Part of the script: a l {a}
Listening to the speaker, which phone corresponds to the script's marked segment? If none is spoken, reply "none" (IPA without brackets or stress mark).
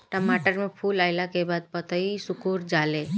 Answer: e